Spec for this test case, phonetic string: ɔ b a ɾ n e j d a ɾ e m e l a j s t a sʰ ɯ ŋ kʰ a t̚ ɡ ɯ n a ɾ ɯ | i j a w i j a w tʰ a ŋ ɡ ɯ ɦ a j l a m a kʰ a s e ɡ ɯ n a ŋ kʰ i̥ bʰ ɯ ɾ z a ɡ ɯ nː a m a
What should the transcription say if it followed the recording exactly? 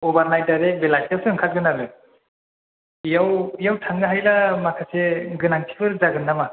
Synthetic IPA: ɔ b a ɾ n a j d a ɾ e b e l a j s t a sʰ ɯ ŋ kʰ a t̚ ɡ ɯ n a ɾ ɯ | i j a w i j a w tʰ a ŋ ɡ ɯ ɦ a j l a m a kʰ a s e ɡ ɯ n a ŋ tʰ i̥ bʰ ɯ ɾ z a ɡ ɯ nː a m a